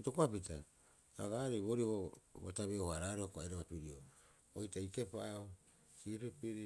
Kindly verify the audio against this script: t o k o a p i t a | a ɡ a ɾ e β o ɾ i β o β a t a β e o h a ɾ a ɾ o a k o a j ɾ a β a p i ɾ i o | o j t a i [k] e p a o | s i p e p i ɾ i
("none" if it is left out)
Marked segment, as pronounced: k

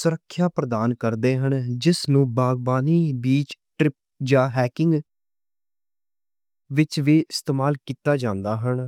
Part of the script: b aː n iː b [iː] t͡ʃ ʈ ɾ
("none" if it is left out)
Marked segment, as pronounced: iː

